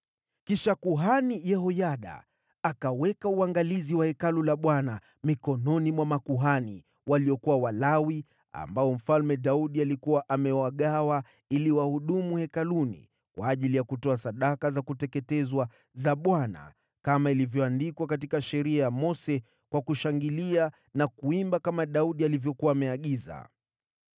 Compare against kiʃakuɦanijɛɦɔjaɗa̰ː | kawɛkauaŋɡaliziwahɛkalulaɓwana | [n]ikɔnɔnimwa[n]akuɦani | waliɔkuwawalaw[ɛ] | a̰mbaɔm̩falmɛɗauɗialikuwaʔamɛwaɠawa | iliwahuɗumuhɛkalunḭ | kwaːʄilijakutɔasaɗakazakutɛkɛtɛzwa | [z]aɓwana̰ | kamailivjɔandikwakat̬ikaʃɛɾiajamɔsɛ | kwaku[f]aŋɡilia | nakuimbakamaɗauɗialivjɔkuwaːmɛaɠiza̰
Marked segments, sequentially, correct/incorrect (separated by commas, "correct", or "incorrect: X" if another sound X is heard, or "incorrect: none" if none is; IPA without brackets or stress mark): incorrect: m, incorrect: m, incorrect: i, correct, incorrect: ʃ